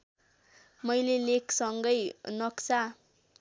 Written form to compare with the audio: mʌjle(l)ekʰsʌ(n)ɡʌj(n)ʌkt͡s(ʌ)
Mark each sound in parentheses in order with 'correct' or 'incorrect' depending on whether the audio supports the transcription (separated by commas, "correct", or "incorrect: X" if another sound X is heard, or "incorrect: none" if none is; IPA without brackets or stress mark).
correct, incorrect: ŋ, correct, incorrect: a